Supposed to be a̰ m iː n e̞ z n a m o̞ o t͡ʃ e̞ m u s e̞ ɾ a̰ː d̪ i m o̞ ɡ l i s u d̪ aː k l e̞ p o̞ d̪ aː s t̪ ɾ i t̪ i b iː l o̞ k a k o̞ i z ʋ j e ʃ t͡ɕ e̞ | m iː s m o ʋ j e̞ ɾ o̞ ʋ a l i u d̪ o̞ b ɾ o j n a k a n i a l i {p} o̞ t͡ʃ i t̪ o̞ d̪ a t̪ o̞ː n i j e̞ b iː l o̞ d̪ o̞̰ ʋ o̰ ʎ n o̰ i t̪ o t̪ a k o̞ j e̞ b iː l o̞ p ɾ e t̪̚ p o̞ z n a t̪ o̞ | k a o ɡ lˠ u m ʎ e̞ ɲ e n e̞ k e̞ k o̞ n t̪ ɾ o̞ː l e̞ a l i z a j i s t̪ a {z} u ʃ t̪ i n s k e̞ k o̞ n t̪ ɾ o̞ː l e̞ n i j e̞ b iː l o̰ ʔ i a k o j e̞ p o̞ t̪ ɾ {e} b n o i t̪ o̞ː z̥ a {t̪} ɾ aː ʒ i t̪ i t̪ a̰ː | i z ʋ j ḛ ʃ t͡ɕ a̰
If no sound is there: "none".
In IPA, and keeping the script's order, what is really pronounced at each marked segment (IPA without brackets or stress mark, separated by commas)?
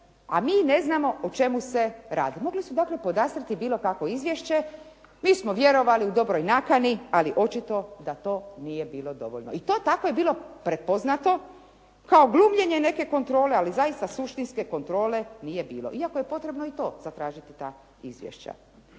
ʔ, s, e, t̪